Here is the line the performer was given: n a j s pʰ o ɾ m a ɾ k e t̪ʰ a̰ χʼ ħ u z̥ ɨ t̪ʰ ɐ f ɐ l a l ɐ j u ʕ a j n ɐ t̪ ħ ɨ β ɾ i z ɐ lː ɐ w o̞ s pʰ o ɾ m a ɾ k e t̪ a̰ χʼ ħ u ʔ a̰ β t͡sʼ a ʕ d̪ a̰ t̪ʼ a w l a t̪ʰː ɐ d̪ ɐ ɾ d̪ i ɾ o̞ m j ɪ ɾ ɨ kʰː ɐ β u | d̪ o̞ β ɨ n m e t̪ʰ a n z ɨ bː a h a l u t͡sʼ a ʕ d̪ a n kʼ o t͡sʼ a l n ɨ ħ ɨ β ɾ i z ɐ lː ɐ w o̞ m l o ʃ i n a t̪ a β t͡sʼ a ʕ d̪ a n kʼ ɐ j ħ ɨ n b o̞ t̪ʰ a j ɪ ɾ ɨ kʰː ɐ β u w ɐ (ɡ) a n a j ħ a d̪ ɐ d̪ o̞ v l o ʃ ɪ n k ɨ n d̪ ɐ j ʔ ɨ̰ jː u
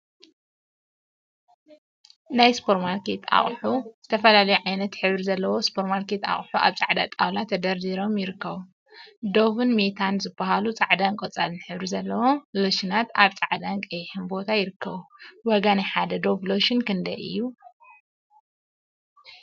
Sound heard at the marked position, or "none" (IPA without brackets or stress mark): ɡ